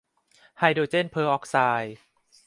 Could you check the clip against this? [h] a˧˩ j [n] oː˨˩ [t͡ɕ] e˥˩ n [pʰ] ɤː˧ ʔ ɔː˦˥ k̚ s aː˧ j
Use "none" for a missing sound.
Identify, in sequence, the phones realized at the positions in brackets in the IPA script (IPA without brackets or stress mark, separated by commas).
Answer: h, d, t͡ɕ, pʰ